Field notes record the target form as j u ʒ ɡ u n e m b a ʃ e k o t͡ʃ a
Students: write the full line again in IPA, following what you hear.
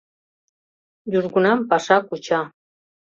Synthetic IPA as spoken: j u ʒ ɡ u n a m p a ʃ a k u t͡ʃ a